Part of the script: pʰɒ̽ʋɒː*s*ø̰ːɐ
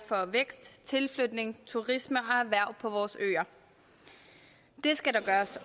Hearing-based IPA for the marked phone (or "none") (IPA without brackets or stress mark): s